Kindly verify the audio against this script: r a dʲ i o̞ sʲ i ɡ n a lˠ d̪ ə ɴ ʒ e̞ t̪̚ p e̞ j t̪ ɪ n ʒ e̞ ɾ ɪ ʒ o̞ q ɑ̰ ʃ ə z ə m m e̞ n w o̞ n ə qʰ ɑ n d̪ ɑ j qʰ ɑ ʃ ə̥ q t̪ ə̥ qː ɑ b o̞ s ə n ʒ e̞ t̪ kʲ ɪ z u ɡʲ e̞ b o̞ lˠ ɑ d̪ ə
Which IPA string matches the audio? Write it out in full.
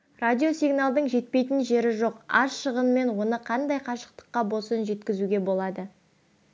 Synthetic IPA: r a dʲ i o̞ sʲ i ɡ n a lˠ d̪ ə ɴ ʒ e̞ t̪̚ p e̞ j t̪ ɪ n ʒ e̞ ɾ ɪ ʒ o̞ q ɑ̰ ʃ ə ʁ ə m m e̞ n w o̞ n ə qʰ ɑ n d̪ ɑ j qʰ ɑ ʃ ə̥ q t̪ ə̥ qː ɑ b o̞ s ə n ʒ e̞ t̪ kʲ ɪ z u ɡʲ e̞ b o̞ lˠ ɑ d̪ ə